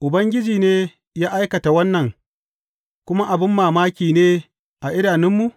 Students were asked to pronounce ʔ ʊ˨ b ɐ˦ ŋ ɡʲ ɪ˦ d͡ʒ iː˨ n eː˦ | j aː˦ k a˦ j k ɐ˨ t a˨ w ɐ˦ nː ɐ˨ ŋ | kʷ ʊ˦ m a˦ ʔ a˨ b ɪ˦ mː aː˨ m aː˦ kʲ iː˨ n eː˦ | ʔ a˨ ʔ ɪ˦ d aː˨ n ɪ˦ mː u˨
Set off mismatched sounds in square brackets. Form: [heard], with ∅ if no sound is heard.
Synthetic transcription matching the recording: ʔ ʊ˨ b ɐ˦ ŋ ɡʲ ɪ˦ d͡ʒ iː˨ n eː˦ | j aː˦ [ʔ] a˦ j k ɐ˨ t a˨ w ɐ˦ nː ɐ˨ ŋ | kʷ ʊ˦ m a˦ ʔ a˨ b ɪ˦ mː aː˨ m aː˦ kʲ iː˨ n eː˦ | ʔ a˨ ʔ ɪ˦ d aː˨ n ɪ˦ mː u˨